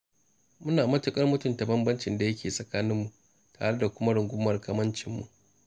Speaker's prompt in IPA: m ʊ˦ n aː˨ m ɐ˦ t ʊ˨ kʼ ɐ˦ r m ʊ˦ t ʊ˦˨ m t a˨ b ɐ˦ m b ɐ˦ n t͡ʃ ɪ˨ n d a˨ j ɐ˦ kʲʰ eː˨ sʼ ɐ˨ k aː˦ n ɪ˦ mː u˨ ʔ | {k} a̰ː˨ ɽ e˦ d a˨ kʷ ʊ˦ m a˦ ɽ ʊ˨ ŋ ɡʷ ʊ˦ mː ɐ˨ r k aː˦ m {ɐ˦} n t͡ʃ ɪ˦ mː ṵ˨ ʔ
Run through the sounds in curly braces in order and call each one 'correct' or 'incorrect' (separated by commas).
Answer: incorrect, correct